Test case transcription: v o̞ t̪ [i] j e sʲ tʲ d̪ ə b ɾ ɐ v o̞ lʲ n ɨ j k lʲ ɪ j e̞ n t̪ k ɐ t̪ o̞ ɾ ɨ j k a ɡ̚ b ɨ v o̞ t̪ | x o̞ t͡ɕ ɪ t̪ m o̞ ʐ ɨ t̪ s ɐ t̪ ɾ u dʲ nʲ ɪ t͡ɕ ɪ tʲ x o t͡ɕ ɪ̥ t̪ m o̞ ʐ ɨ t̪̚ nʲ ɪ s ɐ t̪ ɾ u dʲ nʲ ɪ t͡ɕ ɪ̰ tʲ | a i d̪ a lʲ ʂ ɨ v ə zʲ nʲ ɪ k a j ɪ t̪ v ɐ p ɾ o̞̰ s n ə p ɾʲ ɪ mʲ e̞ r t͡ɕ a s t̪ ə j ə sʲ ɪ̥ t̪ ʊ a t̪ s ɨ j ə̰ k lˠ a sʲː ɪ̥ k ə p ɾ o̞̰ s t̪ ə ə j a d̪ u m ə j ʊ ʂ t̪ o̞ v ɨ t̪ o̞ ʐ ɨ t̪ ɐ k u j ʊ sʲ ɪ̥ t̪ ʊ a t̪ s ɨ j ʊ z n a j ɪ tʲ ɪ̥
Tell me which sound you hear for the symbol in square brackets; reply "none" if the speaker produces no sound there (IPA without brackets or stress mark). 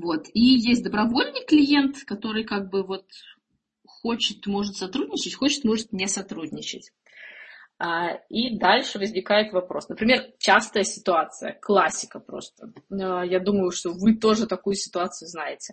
i